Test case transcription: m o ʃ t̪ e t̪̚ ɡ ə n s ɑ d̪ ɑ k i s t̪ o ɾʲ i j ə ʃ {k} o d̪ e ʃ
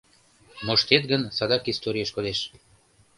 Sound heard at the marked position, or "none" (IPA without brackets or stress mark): k